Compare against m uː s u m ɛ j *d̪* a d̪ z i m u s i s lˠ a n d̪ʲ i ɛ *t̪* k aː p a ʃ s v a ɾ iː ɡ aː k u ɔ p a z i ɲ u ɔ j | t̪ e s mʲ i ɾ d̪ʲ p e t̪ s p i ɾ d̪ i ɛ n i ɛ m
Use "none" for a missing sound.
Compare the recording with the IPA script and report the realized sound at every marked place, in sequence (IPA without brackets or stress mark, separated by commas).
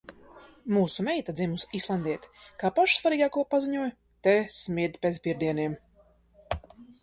t̪, t̪